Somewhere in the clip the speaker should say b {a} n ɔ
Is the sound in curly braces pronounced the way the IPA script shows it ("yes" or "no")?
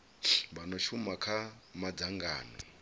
yes